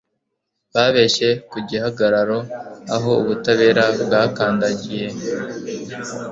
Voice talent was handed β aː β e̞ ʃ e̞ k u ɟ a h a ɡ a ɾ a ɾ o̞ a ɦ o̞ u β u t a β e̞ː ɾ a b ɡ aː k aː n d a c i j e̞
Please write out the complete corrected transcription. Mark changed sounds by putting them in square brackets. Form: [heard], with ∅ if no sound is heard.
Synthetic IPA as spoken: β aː β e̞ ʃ e̞ k u ɟ [i] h a ɡ a ɾ a ɾ o̞ a ɦ o̞ u β u t a β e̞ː ɾ a b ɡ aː k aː n d a [ɟ] i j e̞